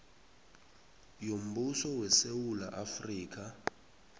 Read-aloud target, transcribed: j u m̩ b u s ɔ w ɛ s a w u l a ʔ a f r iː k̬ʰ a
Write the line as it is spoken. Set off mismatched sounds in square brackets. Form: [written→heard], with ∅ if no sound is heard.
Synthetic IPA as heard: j [u→o] m̩ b u s ɔ w ɛ s [a→e] w u l a ʔ a f r iː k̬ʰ a